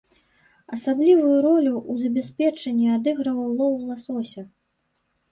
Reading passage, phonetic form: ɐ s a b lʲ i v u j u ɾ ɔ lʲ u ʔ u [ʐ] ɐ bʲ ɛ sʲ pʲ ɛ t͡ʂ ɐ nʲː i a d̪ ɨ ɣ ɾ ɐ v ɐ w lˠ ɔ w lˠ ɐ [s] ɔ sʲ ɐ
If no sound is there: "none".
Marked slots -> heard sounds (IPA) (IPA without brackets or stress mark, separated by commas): z, s